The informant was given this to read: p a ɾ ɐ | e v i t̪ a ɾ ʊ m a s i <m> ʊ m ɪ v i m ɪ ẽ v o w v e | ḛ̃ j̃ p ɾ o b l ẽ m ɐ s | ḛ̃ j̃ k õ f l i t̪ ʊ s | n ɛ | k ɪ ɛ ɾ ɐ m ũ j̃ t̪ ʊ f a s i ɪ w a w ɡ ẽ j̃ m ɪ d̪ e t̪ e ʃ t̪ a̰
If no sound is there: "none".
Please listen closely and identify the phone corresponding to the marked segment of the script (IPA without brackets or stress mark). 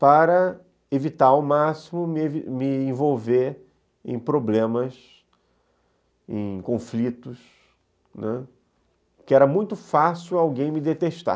m